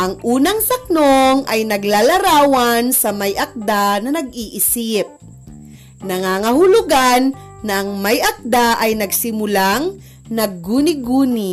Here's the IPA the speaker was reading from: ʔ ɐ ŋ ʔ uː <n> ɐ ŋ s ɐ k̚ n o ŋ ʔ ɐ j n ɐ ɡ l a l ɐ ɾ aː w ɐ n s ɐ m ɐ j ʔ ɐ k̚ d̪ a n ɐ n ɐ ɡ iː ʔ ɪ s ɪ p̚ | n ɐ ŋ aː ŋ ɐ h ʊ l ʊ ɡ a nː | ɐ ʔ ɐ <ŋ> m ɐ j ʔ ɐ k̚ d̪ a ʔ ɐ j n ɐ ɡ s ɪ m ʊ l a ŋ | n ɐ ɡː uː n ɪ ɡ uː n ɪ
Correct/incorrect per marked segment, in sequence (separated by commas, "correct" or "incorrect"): correct, correct